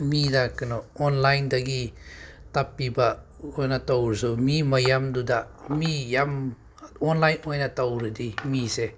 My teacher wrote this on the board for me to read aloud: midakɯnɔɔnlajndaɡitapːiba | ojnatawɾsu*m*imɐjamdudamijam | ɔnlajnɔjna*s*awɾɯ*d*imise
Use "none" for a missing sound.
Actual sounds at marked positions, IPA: m, t, d

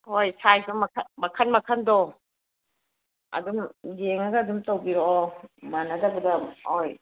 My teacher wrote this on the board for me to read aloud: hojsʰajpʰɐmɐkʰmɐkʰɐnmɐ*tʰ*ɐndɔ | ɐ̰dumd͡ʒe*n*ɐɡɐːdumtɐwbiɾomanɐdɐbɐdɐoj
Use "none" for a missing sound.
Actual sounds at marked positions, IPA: kʰ, ŋ

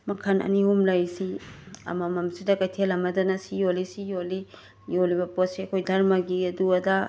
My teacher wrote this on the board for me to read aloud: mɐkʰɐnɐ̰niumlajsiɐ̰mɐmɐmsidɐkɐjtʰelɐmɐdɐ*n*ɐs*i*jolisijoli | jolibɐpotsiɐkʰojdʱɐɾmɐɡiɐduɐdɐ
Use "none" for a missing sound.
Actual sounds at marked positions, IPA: n, i

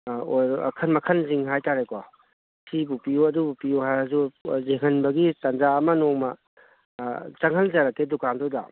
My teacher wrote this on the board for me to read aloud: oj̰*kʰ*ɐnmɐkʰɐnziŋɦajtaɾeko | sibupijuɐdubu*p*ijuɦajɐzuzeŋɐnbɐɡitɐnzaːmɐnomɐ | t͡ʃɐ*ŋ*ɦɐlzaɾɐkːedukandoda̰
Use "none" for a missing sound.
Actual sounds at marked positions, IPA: kʰ, p, ŋ

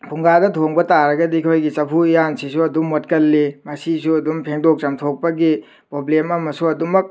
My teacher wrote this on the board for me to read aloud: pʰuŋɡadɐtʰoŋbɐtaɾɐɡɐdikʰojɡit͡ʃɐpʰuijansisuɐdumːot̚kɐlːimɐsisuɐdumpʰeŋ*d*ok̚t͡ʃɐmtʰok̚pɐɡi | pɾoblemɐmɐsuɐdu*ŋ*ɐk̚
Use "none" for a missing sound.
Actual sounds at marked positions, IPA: d, m

